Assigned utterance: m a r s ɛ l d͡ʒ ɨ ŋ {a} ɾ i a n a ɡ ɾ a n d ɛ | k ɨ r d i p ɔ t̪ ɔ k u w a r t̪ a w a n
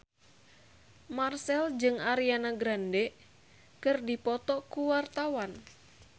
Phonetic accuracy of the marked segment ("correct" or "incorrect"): correct